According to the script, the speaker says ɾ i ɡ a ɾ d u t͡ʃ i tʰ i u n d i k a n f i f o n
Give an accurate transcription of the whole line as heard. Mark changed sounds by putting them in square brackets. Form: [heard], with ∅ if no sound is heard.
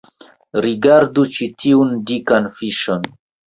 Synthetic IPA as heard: ɾ i ɡ a ɾ d u t͡ʃ i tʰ i u n d i k a n f i [ʃ] o n